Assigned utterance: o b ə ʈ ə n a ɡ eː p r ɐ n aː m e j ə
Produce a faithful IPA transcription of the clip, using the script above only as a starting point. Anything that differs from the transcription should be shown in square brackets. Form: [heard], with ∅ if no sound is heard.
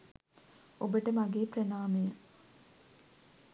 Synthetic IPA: o b ə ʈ ə [m] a ɡ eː p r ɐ n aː m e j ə

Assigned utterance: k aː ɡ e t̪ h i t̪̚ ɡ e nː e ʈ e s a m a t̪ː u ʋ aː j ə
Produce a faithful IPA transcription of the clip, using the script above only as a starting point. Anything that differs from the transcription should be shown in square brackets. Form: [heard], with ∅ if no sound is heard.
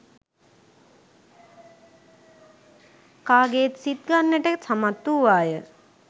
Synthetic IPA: k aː ɡ e t̪ [s] i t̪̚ ɡ [a] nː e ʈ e s a m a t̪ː u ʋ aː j ə

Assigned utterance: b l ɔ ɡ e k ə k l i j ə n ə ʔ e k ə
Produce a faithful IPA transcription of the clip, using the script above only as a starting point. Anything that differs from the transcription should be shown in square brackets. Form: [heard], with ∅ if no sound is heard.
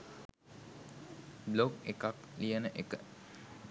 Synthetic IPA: b l [o] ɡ e k [a] k l i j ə n ə ʔ e k ə

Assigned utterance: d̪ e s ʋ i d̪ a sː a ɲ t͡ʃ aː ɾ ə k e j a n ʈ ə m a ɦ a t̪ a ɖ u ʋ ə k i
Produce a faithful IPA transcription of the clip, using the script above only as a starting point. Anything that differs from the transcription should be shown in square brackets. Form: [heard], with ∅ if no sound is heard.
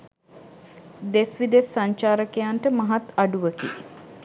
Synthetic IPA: d̪ e s ʋ i d̪ [e] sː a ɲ t͡ʃ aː ɾ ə k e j a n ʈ ə m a ɦ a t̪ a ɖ u ʋ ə k i

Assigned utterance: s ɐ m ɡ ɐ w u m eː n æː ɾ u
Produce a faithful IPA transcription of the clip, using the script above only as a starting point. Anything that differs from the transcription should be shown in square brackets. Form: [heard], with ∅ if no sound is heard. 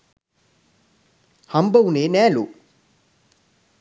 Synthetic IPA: [h] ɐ m [b] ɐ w u [n] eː n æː [l] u

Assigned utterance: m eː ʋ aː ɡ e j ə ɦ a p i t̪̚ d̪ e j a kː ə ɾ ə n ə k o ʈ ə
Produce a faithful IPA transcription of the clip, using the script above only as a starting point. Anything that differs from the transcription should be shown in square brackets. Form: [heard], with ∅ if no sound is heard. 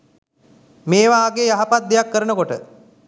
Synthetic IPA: m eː ʋ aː ɡ e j [a] ɦ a p [a] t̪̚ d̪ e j a kː ə ɾ ə n ə k o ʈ ə

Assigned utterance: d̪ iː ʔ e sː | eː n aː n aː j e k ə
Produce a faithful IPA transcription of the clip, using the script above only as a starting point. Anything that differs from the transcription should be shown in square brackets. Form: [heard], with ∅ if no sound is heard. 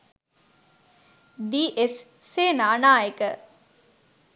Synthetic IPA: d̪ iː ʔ e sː | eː n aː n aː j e k ə

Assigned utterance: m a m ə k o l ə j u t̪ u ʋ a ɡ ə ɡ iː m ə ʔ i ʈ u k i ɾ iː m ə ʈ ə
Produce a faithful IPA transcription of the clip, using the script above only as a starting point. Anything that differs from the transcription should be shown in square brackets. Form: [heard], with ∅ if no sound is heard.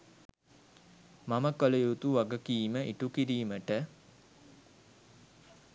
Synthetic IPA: m a m ə k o l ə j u t̪ u ʋ a ɡ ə [k] iː m ə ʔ i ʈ u k i ɾ iː m ə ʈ ə

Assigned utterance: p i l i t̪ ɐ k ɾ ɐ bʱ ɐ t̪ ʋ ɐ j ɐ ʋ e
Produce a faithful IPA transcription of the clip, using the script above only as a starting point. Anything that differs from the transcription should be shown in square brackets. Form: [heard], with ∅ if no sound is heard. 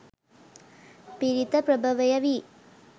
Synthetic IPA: p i [ɾ] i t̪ ɐ [p] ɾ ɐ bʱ ɐ [∅] ʋ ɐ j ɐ ʋ [i]

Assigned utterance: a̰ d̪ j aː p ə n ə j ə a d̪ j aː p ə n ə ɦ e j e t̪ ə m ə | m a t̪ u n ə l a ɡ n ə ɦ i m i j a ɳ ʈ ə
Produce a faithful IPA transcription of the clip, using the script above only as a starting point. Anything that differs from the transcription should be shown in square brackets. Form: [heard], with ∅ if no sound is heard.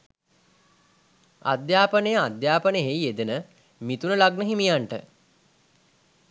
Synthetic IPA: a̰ d̪ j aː p ə n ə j ə a d̪ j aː p ə n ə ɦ e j e [d̪] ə [n] ə | m [i] t̪ u n ə l a ɡ n ə ɦ i m i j a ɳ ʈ ə

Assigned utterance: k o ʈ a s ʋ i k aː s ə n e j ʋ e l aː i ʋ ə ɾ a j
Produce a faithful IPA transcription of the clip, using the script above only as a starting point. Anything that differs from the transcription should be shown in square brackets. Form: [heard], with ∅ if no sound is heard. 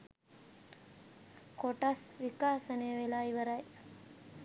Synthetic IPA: k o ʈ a s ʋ i k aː s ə n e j ʋ e l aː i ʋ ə ɾ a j

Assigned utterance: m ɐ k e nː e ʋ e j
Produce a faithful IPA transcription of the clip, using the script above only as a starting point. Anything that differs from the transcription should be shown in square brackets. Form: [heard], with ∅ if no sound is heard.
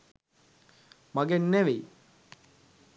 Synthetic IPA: m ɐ [ɡ] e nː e ʋ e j

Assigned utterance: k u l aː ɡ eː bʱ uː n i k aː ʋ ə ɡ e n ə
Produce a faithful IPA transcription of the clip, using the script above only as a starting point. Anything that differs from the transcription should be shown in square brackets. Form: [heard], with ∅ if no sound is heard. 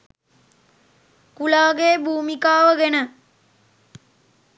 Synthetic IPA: k u l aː ɡ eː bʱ uː [m] i k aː ʋ ə ɡ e n ə

